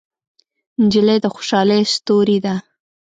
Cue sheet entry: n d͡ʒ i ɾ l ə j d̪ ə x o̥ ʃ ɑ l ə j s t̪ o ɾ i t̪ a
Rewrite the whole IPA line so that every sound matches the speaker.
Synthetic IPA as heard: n d͡ʒ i l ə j d̪ ə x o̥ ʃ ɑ l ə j s t̪ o ɾ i d̪ a